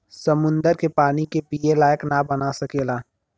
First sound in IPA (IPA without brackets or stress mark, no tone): s